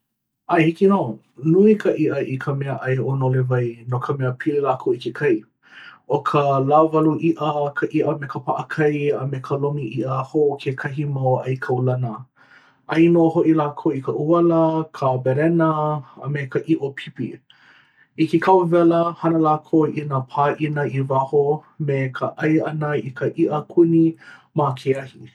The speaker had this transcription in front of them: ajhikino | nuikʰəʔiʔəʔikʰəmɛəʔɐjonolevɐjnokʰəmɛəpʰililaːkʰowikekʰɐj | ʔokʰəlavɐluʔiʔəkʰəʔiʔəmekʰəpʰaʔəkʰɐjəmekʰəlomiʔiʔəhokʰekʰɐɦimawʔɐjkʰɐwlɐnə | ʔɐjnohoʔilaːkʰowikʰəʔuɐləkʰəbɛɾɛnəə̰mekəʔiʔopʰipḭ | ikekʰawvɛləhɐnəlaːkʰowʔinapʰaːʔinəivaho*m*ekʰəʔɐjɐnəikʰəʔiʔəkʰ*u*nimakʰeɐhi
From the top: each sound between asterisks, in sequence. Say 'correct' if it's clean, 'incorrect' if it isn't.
correct, correct

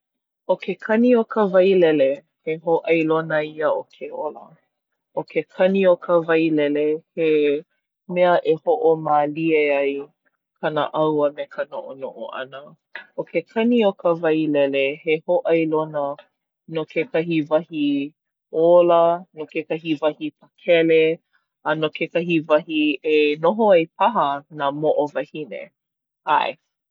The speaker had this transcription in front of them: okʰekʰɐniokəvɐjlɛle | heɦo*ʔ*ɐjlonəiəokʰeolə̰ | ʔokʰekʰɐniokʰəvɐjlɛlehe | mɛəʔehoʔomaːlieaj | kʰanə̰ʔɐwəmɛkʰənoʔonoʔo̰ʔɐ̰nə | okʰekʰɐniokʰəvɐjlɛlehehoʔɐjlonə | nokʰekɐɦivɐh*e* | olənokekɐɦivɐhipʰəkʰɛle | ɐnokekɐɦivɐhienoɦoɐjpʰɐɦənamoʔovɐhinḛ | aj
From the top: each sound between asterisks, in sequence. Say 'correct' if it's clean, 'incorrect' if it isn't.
correct, incorrect

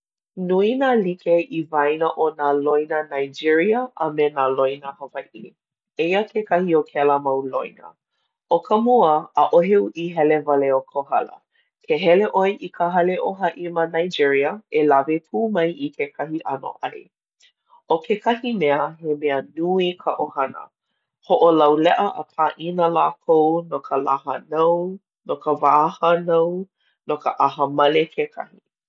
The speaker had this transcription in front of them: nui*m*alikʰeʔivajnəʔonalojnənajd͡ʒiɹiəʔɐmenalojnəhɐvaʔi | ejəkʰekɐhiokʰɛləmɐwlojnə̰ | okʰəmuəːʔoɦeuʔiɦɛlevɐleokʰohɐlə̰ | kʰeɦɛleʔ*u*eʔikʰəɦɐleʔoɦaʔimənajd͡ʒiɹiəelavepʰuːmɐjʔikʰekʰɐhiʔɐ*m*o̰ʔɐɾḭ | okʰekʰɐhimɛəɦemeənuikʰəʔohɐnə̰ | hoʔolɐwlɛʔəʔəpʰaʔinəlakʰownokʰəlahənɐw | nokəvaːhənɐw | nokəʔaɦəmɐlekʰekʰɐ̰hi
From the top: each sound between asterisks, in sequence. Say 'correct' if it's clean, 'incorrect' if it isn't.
incorrect, incorrect, incorrect

